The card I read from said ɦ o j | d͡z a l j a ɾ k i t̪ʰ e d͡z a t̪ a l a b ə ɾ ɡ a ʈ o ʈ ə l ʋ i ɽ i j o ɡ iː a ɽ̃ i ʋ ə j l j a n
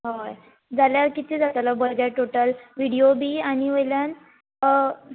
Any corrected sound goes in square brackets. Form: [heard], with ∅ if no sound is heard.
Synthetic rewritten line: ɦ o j | d͡z a l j a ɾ k i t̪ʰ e d͡z a t̪ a l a b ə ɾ ɡ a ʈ o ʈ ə l ʋ i ɽ i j o [b] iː a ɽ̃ i ʋ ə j l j a n

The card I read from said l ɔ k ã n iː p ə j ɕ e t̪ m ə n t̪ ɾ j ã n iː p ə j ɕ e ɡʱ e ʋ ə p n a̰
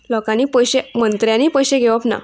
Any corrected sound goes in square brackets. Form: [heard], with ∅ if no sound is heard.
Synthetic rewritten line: l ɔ k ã n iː p ə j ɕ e [∅] m ə n t̪ ɾ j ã n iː p ə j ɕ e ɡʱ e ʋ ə p n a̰

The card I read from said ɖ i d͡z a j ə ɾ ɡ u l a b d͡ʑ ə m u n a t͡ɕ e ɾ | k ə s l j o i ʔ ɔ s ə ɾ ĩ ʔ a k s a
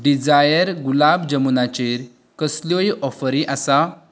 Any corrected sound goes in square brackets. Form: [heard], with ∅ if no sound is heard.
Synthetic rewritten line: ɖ i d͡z a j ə ɾ ɡ u l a b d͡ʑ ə m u n a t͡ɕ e ɾ | k ə s l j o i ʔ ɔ [f] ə ɾ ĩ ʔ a [∅] s a

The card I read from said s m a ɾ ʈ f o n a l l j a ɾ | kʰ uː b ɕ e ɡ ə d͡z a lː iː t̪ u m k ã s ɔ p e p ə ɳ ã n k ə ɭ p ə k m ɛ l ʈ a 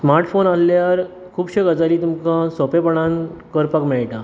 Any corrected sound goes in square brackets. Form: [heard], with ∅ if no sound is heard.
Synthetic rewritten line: s m a ɾ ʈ f o n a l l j a ɾ | kʰ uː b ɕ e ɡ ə d͡z a [l] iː t̪ u m k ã s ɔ p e p ə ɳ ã n k ə [ɾ] p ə k m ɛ [ɭ] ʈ a

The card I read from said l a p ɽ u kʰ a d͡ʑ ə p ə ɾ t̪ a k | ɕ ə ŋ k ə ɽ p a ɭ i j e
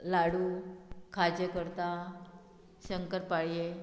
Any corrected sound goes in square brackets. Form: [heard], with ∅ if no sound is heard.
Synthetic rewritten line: l a [∅] ɽ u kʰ a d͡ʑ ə [k] ə ɾ t̪ a [∅] | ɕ ə ŋ k ə [ɾ] p a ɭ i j e

